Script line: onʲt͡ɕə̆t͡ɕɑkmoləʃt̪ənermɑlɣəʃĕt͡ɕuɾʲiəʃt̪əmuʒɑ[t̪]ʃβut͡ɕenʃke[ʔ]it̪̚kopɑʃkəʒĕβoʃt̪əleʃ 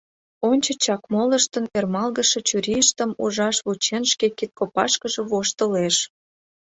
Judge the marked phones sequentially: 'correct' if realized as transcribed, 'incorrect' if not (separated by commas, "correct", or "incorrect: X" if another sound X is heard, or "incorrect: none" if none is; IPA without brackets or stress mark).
incorrect: none, incorrect: k